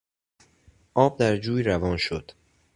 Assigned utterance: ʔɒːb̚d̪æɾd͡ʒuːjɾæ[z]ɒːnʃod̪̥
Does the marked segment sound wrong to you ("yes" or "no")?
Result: yes